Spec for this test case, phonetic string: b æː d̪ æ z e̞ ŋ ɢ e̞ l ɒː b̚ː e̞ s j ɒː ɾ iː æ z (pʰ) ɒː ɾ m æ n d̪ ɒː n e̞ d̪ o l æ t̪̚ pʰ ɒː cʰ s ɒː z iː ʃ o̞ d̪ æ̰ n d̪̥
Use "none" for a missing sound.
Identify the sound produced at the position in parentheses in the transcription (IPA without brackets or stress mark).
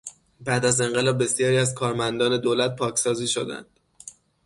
kʰ